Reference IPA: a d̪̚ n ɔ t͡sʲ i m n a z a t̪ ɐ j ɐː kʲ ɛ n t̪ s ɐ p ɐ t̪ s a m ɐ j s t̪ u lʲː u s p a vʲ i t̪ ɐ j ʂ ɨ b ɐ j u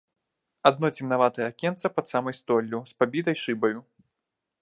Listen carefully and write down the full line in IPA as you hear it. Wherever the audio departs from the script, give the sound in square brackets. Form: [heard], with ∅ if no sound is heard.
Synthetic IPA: a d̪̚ n ɔ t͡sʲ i m n a [v] a t̪ ɐ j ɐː kʲ ɛ n t̪ s ɐ p ɐ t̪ s a m ɐ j s t̪ [ɔ] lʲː u s p a [bʲ] i t̪ ɐ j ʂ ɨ b ɐ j u